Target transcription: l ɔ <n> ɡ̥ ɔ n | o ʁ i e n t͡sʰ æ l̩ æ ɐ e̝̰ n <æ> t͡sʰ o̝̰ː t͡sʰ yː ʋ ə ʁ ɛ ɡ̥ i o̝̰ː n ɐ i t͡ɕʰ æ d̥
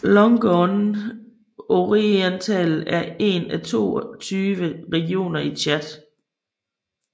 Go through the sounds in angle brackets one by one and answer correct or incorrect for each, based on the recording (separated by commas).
incorrect, correct